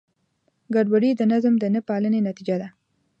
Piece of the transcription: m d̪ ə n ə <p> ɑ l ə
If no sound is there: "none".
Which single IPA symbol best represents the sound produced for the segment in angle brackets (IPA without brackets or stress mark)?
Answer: p